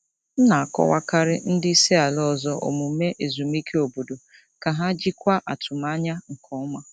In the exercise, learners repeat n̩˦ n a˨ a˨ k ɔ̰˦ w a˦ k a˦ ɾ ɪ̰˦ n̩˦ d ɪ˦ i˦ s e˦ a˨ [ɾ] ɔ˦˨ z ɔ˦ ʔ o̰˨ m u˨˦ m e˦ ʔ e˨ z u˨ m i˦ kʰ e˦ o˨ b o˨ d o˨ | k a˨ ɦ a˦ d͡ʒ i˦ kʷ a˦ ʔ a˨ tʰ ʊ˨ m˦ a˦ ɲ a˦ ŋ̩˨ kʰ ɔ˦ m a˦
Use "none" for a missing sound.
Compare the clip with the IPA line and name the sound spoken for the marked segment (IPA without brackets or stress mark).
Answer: l